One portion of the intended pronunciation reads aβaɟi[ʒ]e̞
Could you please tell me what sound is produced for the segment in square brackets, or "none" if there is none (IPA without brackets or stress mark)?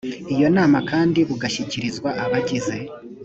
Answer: z